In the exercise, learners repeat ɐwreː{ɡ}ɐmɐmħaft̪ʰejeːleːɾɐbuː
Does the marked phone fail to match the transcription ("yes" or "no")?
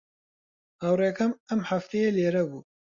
yes